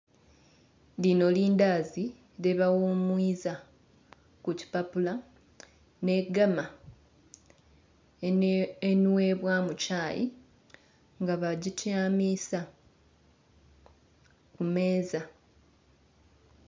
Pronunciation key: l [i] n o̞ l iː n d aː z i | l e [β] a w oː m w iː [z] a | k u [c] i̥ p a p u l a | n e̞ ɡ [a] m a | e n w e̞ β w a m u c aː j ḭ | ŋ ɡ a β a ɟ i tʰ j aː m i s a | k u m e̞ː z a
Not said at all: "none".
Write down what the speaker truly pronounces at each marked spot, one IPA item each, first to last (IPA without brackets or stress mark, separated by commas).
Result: i, β, z, c, a